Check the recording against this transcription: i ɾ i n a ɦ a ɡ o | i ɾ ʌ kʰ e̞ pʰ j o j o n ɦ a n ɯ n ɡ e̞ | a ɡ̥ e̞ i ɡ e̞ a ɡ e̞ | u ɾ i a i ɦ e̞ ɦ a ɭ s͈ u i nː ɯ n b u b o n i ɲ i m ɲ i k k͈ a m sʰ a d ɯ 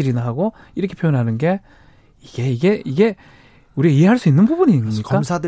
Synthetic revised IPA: i ɾ i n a ɦ a ɡ o | i ɾ ʌ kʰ e̞ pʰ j o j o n ɦ a n ɯ n ɡ e̞ | i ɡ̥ e̞ i ɡ e̞ i ɡ e̞ | u ɾ i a i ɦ e̞ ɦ a ɭ s͈ u i nː ɯ n b u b u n i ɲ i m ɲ i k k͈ a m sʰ a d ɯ